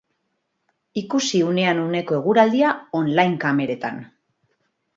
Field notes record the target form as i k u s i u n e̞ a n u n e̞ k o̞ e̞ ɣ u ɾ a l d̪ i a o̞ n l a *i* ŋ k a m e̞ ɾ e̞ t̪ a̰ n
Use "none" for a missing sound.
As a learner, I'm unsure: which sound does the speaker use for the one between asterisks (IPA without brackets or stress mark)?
j